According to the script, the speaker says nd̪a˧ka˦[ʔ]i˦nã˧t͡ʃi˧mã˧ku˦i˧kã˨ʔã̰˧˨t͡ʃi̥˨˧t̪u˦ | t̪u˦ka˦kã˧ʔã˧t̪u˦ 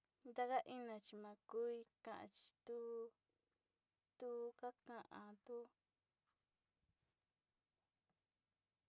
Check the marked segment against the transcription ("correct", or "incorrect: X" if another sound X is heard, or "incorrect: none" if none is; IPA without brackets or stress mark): correct